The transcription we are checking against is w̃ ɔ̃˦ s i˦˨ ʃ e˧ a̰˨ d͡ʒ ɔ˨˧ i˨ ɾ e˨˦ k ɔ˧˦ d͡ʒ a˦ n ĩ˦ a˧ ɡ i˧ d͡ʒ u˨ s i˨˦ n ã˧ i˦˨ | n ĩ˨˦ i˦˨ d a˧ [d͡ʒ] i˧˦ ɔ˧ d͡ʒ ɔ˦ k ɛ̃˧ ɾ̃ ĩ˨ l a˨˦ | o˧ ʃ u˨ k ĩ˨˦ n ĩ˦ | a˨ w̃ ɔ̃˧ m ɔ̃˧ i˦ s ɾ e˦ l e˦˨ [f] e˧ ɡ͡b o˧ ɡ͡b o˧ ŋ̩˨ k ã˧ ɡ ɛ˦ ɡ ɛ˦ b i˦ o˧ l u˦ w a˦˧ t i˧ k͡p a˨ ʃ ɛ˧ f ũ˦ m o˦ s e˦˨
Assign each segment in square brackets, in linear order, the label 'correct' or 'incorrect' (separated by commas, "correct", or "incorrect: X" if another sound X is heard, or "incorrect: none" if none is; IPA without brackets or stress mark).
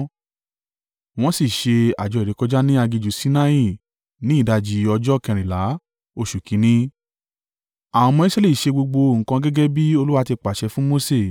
correct, incorrect: ʃ